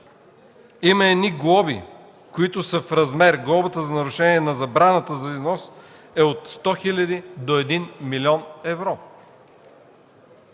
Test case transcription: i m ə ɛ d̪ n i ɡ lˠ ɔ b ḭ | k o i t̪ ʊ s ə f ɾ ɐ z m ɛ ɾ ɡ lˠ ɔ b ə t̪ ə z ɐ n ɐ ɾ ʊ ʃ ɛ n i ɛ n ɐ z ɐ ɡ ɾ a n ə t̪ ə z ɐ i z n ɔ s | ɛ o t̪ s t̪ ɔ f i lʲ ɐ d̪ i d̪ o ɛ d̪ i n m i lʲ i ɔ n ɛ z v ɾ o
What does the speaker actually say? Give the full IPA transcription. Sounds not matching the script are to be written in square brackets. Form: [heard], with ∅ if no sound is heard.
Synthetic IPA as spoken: i m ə ɛ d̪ n i ɡ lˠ ɔ b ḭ | k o i t̪ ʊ s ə f ɾ ɐ z m ɛ ɾ ɡ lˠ ɔ b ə t̪ ə z ɐ n ɐ ɾ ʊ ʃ ɛ n i ɛ n ɐ z ɐ [b] ɾ a n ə t̪ ə z ɐ i z n ɔ s | ɛ o t̪ s t̪ ɔ [x] i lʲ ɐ d̪ i d̪ o ɛ d̪ i n m i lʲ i ɔ n ɛ [∅] v ɾ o